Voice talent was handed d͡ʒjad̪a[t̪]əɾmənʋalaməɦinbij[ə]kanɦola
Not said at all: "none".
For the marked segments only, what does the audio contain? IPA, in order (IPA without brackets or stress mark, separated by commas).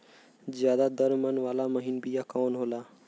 d̪, a